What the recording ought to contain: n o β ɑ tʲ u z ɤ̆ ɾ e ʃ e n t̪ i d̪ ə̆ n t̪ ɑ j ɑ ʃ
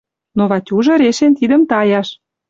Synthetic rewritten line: n o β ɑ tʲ u ʒ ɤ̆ ɾ e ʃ e n t̪ i d̪ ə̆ m t̪ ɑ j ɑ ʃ